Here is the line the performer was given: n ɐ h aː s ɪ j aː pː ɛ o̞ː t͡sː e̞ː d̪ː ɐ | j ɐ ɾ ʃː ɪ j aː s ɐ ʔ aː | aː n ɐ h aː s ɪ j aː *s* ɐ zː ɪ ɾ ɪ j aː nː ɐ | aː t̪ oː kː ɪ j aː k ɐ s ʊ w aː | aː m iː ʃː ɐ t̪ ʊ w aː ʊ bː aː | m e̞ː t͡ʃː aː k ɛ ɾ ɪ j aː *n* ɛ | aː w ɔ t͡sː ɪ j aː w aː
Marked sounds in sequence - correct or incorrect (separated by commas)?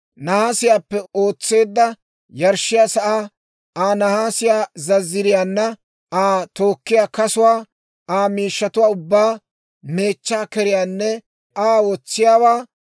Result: incorrect, incorrect